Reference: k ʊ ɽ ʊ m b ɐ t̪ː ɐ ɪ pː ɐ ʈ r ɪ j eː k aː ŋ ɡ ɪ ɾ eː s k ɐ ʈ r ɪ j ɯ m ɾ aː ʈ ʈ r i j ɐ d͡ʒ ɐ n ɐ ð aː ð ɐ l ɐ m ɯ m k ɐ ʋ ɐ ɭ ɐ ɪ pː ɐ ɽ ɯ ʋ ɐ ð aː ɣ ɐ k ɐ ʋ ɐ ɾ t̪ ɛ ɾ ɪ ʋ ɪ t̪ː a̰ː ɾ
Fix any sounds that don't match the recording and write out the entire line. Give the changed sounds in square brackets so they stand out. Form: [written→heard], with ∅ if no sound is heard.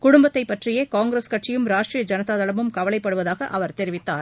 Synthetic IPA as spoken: k ʊ ɽ ʊ m b ɐ t̪ː ɐ ɪ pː ɐ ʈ r ɪ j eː k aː ŋ ɡ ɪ ɾ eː s k ɐ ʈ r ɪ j ɯ m ɾ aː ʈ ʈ r i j ɐ d͡ʒ ɐ n ɐ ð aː ð ɐ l ɐ m ɯ m k ɐ ʋ ɐ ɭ ɐ ɪ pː ɐ ɽ ɯ ʋ ɐ ð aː ɣ ɐ [k→ʔ] ɐ ʋ ɐ ɾ t̪ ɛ ɾ ɪ ʋ ɪ t̪ː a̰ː ɾ